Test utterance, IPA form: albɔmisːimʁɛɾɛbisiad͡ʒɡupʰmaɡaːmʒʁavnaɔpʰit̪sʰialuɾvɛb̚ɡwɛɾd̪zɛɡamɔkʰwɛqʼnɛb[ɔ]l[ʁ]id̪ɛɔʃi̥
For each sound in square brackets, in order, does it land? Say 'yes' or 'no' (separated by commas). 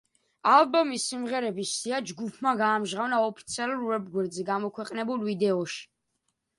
no, no